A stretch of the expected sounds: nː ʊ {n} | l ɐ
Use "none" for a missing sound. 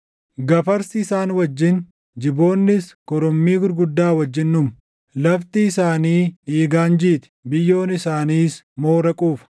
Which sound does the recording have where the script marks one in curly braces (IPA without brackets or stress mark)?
m